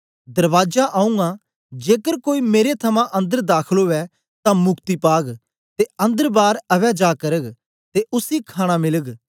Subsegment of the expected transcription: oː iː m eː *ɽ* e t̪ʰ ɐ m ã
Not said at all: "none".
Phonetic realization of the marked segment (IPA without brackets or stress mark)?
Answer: ɾ